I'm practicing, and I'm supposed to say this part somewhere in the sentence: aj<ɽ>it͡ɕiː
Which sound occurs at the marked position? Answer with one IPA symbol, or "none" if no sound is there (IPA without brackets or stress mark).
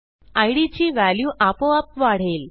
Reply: ɽ